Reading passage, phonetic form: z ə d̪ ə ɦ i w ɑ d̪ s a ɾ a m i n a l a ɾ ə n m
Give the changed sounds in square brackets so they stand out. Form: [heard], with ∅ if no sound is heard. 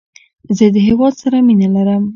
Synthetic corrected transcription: z ə d̪ ə ɦ [e] w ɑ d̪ s a ɾ a m i n a l a ɾ ə [∅] m